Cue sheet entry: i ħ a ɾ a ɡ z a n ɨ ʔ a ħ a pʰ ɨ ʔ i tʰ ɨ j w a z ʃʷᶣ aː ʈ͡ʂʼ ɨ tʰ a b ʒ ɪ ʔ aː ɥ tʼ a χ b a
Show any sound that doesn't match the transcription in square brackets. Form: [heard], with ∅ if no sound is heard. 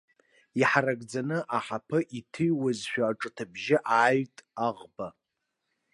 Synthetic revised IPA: i ħ a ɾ a ɡ [d͡z] a n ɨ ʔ a ħ a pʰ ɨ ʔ i tʰ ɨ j w a z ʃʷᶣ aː ʈ͡ʂʼ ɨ tʰ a b ʒ ɪ ʔ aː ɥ tʼ a [ʁ] b a